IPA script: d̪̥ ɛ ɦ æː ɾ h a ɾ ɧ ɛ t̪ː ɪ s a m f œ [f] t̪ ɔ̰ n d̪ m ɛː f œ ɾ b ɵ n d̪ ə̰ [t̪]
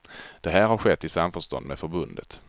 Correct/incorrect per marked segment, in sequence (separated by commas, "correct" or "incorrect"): incorrect, correct